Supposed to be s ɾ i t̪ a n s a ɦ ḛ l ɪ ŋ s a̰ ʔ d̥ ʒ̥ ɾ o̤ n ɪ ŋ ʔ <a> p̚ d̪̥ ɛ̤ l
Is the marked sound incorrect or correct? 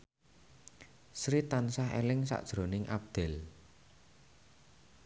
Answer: correct